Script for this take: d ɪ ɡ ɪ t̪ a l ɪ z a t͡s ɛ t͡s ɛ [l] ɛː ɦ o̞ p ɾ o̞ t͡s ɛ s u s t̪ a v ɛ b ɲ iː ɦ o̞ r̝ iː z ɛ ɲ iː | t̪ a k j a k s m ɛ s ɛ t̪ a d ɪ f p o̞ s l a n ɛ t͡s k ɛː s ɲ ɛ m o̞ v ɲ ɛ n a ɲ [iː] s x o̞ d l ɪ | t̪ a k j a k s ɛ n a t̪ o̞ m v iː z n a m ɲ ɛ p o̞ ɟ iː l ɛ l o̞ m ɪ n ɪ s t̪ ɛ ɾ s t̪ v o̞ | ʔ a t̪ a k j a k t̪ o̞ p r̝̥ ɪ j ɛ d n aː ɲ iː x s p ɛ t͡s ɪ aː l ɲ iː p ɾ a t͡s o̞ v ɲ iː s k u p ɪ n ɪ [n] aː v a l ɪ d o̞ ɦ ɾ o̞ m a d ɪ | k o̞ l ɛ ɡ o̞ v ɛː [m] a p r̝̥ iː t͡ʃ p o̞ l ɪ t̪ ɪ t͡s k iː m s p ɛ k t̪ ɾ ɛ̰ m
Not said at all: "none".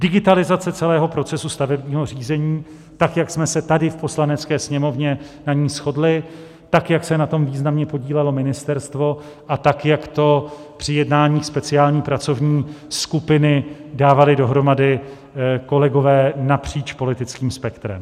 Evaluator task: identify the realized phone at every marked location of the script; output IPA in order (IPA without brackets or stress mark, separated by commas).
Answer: l, iː, d, n